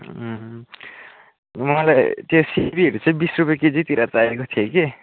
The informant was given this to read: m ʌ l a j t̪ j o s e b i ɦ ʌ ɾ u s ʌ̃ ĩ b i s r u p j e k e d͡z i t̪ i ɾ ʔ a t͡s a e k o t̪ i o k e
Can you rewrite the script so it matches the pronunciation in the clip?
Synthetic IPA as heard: m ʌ l a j t̪ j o s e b i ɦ ʌ ɾ u t͡s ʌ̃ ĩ b i s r u p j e k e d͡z i t̪ i ɾ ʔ a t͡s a e k o t̪ʰ i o k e